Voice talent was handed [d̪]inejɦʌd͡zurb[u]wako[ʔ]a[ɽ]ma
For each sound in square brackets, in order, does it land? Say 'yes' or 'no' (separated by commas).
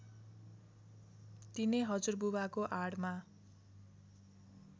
no, yes, yes, yes